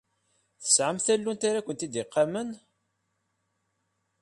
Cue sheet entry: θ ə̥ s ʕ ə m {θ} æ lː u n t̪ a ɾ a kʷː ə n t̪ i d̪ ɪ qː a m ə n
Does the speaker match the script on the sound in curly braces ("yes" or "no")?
yes